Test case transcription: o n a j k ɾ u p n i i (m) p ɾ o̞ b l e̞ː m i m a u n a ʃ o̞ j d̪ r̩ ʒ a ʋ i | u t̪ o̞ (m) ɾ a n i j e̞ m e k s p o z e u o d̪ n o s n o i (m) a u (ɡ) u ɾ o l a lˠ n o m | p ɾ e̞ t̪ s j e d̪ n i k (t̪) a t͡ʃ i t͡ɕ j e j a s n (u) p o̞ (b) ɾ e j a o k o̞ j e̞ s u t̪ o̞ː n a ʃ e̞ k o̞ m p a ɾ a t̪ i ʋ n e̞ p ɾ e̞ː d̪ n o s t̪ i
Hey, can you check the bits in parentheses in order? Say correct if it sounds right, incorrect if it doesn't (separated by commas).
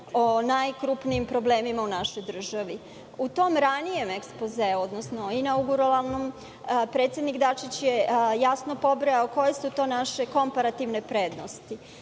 correct, correct, incorrect, correct, incorrect, incorrect, correct